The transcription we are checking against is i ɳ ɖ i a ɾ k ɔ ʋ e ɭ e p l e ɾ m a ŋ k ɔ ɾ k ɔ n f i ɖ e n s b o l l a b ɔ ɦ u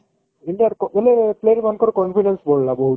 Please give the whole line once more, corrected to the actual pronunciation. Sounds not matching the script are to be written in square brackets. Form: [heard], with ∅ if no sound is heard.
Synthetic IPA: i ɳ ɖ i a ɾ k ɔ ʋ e [l] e p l e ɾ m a [n] k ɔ ɾ k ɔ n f i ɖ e n s b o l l a b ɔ ɦ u